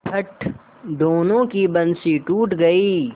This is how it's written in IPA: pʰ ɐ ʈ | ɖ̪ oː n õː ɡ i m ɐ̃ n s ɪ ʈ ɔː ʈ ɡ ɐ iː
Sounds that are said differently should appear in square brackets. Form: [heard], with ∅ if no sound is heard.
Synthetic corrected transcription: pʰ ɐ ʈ | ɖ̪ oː n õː [k] i [b] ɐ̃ n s [i] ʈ [uː] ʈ ɡ ɐ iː